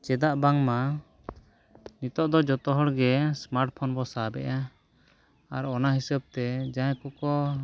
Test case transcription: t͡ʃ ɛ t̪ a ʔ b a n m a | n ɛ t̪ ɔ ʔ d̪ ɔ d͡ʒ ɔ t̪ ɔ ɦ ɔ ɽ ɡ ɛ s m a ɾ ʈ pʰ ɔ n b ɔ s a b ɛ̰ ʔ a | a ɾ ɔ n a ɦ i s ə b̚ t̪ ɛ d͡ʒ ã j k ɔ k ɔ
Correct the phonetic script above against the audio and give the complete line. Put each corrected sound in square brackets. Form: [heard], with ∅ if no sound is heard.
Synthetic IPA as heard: t͡ʃ ɛ [d̪] a ʔ b a [ŋ] m a | n [i] t̪ ɔ ʔ d̪ ɔ d͡ʒ ɔ t̪ ɔ ɦ ɔ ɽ ɡ ɛ s m a ɾ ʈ pʰ ɔ n b ɔ s a b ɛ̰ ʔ a | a ɾ ɔ n a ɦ i s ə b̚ t̪ ɛ d͡ʒ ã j k ɔ k ɔ

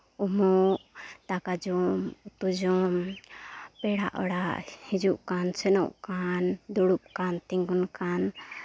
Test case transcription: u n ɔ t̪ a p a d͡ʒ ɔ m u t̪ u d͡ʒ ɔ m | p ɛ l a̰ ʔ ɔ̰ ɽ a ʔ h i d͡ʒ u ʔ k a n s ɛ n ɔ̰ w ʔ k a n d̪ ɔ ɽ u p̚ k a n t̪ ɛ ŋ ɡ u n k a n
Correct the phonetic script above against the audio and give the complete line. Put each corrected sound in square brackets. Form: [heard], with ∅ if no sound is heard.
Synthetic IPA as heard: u [m] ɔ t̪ a [k] a d͡ʒ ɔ m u t̪ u d͡ʒ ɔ m | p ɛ [ɽ] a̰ ʔ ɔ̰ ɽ a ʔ h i d͡ʒ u ʔ k a n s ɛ n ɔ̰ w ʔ k a n d̪ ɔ ɽ u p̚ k a n t̪ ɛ ŋ ɡ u n k a n

